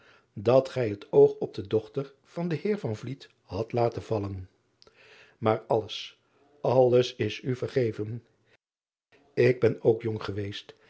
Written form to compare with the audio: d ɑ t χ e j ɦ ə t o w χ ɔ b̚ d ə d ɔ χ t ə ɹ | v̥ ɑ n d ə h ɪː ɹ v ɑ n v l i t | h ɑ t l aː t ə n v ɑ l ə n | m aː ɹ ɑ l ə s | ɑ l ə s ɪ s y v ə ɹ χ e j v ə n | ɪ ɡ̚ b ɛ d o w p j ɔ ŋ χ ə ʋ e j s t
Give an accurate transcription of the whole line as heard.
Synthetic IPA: d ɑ t χ ɛ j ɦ ə t o w χ ɔ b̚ d ə d ɔ χ t ə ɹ | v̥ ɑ n d ə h ɪː ɹ v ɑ n v l i t | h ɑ t l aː t ə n v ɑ l ə n | m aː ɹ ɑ l ə s | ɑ l ə s ɪ s y v ə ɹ χ e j v ə n | ɪ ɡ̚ b ɛ n o w k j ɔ ŋ χ ə ʋ e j s t

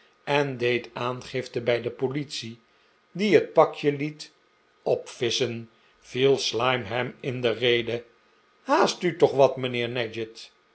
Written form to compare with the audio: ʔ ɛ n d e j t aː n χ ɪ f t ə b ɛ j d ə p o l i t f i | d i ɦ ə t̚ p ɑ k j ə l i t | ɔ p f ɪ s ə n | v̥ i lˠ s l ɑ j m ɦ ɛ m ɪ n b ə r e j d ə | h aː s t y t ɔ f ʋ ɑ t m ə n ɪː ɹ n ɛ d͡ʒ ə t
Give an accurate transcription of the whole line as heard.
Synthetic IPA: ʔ ɛ n d e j t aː n χ ɪ f t ə b ɛ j d ə p o l i t s i | d i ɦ ə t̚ p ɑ k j ə l i t | ɔ p f ɪ s ə n | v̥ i lˠ s l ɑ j m ɦ ɛ m ɪ n d ə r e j d ə | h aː s t y t ɔ χ ʋ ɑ t m ə n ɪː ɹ n ɛ d͡ʒ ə t

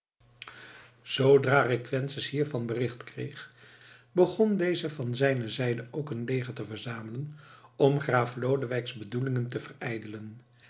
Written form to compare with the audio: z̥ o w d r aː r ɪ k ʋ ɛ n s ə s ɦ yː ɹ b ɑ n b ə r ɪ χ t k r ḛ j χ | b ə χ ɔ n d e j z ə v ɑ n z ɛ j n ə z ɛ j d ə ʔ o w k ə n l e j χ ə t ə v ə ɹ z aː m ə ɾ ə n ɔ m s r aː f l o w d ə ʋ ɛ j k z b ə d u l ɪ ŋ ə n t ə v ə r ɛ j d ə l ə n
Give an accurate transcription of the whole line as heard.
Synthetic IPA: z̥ o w d r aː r ɪ k ʋ ɛ n s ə s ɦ iː ɹ v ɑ n b ə r ɪ χ t k r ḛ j χ | b ə χ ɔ n d e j z ə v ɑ n z ɛ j n ə z ɛ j d ə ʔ o w k ə n l e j χ ə t ə v ə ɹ z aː m ə l ə n ɔ m χ r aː f l o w d ə ʋ ɛ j k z b ə d u l ɪ ŋ ə n t ə v ə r ɛ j d ə l ə n

